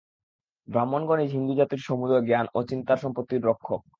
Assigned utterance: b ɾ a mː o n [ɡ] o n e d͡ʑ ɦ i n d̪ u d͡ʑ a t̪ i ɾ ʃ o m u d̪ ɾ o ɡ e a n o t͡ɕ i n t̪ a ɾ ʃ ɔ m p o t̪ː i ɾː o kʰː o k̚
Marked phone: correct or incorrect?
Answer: correct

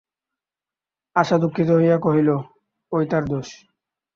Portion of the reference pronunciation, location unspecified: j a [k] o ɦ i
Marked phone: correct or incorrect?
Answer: correct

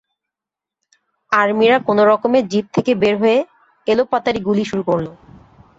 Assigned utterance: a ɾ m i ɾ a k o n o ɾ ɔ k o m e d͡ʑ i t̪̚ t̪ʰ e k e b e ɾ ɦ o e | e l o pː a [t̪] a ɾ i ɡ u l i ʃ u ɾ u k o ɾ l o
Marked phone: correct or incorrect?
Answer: correct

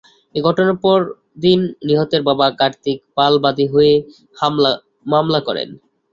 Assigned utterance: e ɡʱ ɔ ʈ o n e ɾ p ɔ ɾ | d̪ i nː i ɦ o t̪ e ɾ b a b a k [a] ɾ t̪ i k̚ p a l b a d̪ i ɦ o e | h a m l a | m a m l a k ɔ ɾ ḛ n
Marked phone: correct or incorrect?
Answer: correct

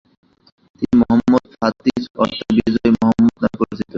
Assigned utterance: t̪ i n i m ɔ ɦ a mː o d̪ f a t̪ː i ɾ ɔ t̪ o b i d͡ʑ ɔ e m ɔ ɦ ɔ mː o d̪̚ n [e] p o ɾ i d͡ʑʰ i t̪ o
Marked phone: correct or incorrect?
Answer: incorrect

